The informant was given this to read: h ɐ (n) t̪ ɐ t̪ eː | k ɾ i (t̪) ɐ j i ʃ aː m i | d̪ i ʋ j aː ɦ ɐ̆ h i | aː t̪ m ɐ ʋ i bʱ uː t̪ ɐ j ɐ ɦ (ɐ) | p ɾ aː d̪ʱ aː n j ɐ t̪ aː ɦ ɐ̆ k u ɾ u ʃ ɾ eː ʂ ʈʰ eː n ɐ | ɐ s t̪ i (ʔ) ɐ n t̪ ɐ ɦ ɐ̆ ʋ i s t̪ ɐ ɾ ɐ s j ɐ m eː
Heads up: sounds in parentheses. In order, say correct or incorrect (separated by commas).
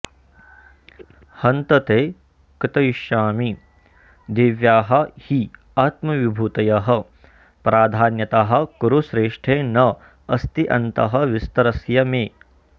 correct, correct, correct, correct